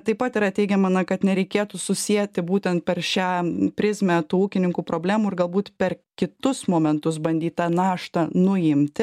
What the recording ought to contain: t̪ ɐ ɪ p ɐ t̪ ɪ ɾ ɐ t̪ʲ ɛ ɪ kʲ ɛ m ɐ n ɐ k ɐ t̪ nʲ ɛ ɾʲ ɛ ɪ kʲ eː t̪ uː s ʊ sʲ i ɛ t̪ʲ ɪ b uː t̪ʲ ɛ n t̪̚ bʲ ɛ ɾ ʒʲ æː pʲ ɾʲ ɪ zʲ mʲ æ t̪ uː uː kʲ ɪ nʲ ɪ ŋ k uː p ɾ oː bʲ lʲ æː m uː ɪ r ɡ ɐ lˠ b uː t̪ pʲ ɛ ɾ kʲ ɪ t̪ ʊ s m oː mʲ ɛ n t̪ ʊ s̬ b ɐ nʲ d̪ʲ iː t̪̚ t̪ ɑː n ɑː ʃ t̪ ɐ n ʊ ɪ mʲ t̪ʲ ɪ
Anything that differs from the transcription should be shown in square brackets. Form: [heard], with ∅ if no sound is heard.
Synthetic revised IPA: t̪ ɐ ɪ p ɐ t̪ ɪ ɾ ɐ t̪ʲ ɛ ɪ [ɡʲ] ɛ m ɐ n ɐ k ɐ t̪ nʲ ɛ ɾʲ ɛ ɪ kʲ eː t̪ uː s ʊ sʲ i ɛ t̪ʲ ɪ b uː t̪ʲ ɛ n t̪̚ [pʲ] ɛ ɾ [ʃʲ] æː pʲ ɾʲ ɪ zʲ mʲ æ t̪ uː uː kʲ ɪ nʲ ɪ ŋ k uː p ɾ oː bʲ lʲ æː m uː ɪ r ɡ ɐ lˠ b uː t̪ pʲ ɛ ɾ kʲ ɪ t̪ ʊ s m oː mʲ ɛ n t̪ ʊ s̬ b ɐ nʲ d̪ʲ iː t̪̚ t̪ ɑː n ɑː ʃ t̪ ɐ n ʊ ɪ mʲ t̪ʲ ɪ

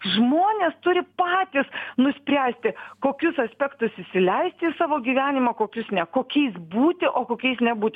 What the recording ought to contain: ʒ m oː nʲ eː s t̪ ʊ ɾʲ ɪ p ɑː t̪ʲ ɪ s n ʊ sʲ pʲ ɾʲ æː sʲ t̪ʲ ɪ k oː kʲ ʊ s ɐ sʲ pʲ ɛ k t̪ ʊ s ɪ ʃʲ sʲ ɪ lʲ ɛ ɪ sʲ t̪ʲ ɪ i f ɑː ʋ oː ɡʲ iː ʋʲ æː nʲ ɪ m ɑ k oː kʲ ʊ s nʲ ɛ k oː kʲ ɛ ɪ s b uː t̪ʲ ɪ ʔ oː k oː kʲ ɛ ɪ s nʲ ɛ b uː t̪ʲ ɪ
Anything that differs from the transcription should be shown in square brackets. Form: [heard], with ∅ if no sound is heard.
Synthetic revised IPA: ʒ m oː nʲ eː s t̪ ʊ ɾʲ ɪ p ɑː t̪ʲ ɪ s n ʊ sʲ pʲ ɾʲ æː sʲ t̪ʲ ɪ k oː kʲ ʊ s ɐ sʲ pʲ ɛ k t̪ ʊ s ɪ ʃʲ sʲ ɪ lʲ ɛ ɪ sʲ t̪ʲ ɪ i [s] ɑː ʋ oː ɡʲ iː ʋʲ æː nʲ ɪ m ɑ k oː kʲ ʊ s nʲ ɛ k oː kʲ ɛ ɪ s b uː t̪ʲ ɪ ʔ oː k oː kʲ ɛ ɪ s nʲ ɛ b uː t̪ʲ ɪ

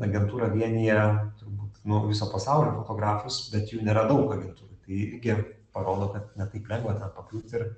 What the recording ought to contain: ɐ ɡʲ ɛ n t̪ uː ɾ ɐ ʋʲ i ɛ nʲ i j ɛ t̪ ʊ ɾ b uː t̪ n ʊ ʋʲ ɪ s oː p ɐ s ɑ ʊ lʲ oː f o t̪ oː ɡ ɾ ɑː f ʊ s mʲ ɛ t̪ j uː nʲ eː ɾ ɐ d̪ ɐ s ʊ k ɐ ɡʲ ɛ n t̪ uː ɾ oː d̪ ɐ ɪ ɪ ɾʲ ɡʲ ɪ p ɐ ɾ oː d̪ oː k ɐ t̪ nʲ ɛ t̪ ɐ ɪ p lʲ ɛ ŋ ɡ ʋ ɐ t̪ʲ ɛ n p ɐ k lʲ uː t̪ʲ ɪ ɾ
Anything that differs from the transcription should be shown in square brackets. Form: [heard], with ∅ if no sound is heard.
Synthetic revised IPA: ɐ ɡʲ ɛ n t̪ uː ɾ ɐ ʋʲ i ɛ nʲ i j ɛ t̪ ʊ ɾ b uː t̪ n ʊ ʋʲ ɪ s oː p ɐ s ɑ ʊ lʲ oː f o t̪ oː ɡ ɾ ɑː f ʊ s [bʲ] ɛ t̪ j uː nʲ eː ɾ ɐ d̪ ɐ [∅] ʊ k ɐ ɡʲ ɛ n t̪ uː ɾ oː [t̪] ɐ ɪ ɪ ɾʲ ɡʲ ɪ p ɐ ɾ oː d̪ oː k ɐ t̪ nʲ ɛ t̪ ɐ ɪ p lʲ ɛ ŋ ɡ ʋ ɐ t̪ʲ ɛ n p ɐ k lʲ uː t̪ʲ ɪ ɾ

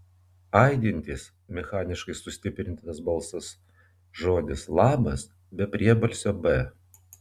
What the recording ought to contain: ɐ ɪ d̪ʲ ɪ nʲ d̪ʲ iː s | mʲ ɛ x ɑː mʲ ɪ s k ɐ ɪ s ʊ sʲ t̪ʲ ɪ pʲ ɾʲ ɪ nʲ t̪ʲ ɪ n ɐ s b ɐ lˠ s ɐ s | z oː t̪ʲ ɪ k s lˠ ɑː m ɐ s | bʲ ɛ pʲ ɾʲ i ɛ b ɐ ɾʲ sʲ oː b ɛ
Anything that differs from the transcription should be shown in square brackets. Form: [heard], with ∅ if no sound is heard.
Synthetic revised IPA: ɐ ɪ d̪ʲ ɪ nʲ [t̪ʲ] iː s | mʲ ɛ x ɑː [nʲ] ɪ [ʃ] k ɐ ɪ s ʊ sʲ t̪ʲ ɪ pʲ ɾʲ ɪ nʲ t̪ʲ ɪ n ɐ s b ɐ lˠ s ɐ s | [ʒ] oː [d̪ʲ] ɪ [∅] s lˠ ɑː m ɐ s | bʲ ɛ pʲ ɾʲ i ɛ b ɐ [lʲ] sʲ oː b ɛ

